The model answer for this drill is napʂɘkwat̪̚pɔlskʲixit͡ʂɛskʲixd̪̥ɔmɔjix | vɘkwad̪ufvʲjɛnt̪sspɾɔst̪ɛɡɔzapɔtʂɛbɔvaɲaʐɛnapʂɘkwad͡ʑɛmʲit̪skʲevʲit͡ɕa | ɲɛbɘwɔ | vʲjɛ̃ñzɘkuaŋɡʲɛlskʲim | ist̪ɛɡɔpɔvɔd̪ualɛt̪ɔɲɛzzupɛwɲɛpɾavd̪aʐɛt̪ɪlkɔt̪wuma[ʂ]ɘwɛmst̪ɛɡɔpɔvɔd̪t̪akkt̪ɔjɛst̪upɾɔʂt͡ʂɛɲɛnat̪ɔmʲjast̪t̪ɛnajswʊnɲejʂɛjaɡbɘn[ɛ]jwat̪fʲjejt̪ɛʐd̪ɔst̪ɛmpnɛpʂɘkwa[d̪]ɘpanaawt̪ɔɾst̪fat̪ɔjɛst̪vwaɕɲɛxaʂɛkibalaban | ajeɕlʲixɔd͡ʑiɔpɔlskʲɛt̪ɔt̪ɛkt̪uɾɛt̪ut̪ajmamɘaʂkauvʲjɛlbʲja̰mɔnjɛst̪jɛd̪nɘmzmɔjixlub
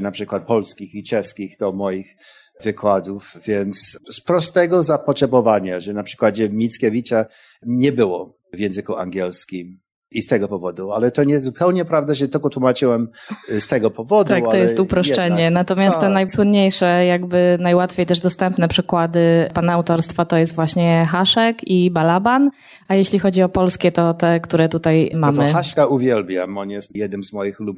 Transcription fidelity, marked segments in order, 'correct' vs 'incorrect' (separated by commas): incorrect, incorrect, correct